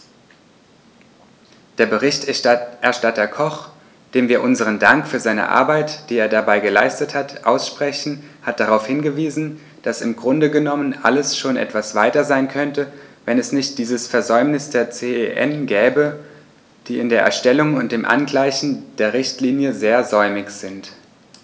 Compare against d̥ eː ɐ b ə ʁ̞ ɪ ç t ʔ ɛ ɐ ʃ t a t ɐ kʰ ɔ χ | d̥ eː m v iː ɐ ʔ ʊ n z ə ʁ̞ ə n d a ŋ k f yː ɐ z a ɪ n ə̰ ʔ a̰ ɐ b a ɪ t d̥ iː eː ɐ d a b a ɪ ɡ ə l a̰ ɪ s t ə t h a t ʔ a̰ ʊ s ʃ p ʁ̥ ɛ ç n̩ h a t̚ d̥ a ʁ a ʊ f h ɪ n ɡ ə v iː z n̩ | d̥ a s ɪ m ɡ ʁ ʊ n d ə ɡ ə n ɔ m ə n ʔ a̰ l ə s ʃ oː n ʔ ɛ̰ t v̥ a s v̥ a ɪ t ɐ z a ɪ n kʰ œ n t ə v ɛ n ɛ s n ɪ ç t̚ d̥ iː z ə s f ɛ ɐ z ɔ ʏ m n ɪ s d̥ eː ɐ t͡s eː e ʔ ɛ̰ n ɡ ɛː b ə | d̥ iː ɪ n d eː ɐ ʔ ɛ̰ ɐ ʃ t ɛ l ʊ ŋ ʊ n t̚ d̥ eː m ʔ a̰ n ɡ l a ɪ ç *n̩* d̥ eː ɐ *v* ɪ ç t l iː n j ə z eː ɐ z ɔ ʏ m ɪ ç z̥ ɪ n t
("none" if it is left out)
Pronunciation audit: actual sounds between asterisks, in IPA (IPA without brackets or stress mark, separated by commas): n̩, ʁ